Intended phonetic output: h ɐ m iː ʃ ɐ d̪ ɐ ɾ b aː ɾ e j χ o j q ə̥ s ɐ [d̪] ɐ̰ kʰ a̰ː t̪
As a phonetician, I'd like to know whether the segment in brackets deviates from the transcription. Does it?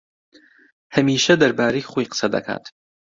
no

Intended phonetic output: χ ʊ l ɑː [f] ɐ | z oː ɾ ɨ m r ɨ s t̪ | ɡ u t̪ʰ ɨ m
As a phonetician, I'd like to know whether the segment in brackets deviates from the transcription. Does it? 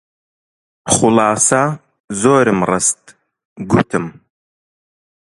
yes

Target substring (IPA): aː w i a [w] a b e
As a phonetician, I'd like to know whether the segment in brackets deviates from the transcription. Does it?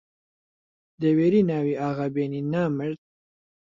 yes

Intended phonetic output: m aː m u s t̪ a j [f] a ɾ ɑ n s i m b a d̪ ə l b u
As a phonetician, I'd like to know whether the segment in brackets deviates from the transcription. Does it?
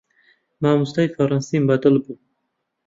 no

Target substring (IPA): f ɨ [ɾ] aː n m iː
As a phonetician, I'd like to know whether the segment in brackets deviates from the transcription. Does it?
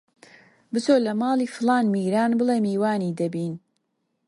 yes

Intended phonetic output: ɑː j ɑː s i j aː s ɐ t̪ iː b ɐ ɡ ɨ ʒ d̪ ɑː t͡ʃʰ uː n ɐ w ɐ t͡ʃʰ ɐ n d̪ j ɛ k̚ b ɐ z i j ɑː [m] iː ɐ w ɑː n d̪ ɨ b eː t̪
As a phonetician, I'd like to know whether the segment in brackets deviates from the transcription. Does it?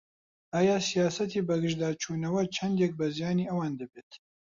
yes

